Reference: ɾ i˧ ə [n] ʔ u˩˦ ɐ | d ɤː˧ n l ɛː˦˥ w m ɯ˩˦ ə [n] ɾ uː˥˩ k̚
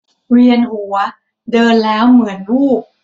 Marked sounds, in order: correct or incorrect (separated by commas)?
correct, correct